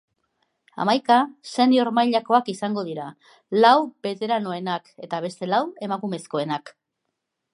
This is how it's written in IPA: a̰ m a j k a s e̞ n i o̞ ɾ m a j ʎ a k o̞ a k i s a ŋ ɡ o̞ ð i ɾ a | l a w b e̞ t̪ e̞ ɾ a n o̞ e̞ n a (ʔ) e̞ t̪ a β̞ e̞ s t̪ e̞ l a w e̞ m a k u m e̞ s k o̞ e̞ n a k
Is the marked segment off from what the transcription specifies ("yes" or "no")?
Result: yes